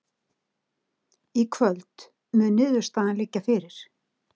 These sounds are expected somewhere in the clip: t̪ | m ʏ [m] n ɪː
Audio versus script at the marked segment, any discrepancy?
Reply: yes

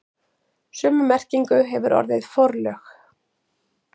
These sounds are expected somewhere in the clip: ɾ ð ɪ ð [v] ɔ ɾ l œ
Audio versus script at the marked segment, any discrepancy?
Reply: yes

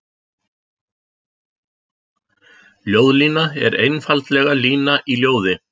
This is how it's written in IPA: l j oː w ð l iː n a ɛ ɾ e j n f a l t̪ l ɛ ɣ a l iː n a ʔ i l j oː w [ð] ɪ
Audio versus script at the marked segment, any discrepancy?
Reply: no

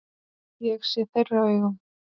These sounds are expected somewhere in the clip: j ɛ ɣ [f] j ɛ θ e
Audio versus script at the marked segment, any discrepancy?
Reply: yes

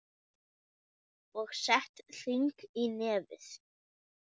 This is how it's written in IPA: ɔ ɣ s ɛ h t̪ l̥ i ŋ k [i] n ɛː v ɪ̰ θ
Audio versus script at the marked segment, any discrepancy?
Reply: no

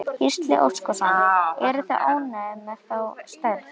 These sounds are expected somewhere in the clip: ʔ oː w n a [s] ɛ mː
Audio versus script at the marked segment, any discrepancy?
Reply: yes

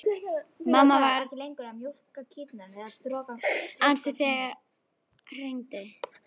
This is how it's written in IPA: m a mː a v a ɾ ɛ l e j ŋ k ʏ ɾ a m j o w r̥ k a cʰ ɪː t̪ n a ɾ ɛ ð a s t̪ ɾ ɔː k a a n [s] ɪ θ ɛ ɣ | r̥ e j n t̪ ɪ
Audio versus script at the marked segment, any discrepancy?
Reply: no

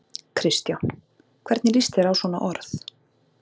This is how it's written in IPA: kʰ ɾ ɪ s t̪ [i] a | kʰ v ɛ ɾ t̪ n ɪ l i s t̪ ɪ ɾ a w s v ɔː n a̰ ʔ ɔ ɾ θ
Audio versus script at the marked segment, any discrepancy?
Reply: yes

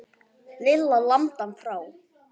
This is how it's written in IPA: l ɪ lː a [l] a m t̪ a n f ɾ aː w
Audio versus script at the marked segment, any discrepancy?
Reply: no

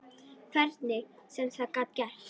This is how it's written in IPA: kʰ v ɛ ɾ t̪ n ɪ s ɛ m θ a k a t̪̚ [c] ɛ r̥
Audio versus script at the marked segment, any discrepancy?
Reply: no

